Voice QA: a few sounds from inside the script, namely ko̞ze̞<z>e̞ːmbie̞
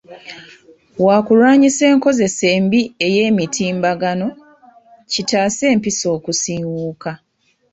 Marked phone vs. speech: incorrect: s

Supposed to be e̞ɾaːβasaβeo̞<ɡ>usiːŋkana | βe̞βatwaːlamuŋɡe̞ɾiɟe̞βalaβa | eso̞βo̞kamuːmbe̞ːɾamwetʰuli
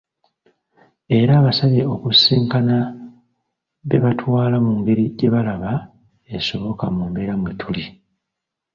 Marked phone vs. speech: incorrect: k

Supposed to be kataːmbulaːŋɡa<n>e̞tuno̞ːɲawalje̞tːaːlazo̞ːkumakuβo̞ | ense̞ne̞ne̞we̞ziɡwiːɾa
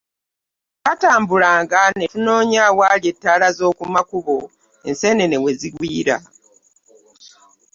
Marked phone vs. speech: correct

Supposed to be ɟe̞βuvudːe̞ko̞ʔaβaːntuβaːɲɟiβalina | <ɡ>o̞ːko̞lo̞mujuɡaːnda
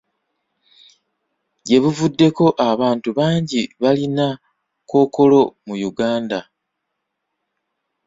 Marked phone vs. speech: incorrect: k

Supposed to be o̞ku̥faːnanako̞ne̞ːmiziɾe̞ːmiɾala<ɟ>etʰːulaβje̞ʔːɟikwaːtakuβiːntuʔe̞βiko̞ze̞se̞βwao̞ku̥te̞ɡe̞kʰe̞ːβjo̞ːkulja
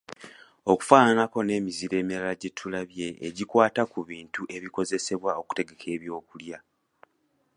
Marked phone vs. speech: correct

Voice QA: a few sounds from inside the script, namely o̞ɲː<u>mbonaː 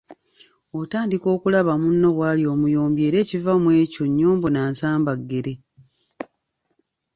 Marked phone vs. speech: incorrect: uː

